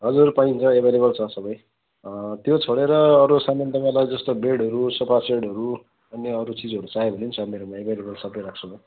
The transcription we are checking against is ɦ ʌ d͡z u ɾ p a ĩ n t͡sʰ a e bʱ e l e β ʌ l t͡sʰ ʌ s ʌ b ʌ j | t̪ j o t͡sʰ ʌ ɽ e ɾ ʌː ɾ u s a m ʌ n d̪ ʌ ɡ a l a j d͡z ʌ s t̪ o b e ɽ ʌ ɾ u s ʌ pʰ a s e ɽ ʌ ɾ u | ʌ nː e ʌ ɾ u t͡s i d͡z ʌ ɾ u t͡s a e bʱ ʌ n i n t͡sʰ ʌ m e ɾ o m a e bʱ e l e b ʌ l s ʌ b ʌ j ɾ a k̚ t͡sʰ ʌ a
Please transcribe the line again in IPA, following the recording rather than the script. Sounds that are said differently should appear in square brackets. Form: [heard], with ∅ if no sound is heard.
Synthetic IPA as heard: ɦ ʌ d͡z u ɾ p a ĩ n t͡sʰ [ʌ] e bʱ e l e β ʌ l t͡sʰ ʌ s ʌ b ʌ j | t̪ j o t͡sʰ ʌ ɽ e ɾ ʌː ɾ u s a m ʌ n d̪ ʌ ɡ a l a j d͡z ʌ s t̪ o b e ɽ ʌ ɾ u s ʌ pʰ a s e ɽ ʌ ɾ u | ʌ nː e ʌ ɾ u t͡s i d͡z ʌ ɾ u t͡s a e bʱ ʌ n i n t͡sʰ ʌ m e ɾ o m a e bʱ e l e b ʌ l s ʌ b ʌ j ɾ a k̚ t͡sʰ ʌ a